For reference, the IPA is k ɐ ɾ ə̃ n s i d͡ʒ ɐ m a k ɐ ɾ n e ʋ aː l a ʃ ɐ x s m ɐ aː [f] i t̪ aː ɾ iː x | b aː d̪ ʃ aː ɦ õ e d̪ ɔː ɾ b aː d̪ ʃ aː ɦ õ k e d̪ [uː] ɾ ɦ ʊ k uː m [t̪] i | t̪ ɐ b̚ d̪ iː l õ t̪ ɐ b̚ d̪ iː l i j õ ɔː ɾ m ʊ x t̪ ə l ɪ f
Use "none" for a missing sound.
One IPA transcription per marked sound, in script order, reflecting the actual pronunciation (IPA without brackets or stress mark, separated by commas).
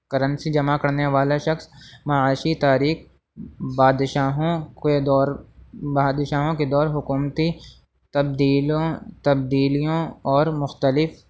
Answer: ʃ, ɔː, t̪